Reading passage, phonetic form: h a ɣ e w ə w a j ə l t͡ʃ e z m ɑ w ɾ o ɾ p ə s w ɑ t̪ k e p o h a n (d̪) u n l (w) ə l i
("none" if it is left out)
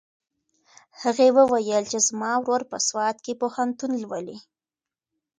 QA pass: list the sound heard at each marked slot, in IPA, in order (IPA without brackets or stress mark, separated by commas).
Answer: t̪, w